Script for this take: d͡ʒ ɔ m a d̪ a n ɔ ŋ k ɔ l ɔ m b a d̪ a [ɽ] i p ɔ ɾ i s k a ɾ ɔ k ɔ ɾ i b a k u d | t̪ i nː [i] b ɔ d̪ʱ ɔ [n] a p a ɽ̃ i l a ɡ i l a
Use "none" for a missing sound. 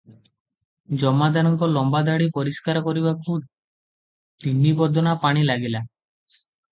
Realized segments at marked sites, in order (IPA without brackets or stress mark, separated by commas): ɽ, i, n